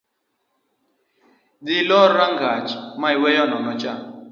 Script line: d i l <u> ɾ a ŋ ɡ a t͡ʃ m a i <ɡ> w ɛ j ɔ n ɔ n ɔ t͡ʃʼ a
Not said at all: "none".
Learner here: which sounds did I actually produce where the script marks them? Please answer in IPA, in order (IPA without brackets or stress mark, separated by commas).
ɔ, none